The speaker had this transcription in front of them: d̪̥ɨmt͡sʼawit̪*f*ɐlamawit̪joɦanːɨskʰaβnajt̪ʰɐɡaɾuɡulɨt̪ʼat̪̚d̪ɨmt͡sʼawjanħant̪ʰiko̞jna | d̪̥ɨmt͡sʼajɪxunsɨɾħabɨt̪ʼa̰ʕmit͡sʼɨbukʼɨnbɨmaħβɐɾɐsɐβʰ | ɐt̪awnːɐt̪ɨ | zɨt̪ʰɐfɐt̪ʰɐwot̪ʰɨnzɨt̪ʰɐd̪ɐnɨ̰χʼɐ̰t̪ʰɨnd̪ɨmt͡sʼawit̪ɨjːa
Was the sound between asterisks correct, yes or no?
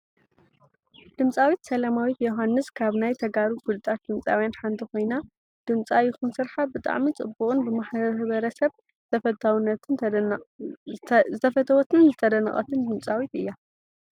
no